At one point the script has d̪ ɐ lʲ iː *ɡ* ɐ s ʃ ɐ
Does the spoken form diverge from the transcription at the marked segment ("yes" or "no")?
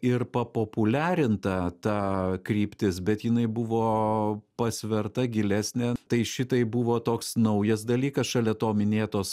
yes